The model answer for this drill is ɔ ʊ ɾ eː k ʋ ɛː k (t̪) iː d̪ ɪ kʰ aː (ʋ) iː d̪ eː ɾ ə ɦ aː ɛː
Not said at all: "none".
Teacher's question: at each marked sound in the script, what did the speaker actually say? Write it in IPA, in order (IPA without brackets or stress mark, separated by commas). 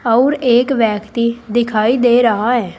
t̪, none